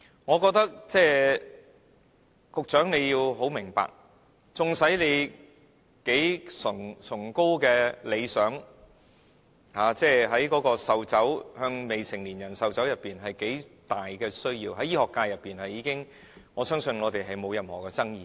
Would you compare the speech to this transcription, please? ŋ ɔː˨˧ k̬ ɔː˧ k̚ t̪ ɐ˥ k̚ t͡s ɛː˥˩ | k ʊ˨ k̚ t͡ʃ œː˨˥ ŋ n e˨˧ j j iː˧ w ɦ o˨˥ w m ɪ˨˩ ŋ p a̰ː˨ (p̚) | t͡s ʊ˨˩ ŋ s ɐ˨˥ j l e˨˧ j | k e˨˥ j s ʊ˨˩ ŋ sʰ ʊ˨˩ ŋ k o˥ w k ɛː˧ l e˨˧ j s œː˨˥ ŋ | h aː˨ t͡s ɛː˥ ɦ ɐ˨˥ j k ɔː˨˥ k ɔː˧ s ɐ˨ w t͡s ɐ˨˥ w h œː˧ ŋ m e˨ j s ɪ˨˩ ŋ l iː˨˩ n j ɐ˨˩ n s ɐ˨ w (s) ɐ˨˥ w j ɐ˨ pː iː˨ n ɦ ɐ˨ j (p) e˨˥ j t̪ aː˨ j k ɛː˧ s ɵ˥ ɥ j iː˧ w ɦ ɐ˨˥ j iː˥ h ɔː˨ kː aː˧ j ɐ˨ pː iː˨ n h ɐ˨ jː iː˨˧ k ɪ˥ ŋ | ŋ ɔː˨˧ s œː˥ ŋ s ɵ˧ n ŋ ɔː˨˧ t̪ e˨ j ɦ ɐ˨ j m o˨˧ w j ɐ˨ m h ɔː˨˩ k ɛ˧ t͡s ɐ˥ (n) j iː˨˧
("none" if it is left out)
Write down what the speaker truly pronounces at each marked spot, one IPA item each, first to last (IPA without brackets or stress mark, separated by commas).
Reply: k̚, t͡s, k, ŋ